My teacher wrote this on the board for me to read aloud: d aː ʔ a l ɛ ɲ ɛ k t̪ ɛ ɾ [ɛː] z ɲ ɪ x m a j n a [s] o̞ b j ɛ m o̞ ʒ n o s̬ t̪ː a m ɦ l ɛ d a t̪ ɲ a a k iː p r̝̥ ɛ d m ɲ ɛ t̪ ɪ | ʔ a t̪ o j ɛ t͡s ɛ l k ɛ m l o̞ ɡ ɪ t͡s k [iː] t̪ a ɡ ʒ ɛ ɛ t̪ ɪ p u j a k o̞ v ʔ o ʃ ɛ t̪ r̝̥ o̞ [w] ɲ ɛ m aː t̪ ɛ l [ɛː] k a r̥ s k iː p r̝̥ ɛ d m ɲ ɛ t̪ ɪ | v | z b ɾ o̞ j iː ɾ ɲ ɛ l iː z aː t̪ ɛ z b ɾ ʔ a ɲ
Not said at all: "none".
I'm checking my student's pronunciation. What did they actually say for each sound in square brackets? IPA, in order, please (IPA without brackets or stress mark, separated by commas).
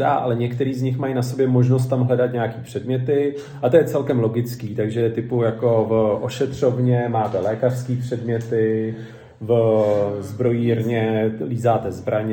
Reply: iː, s, iː, v, ɛː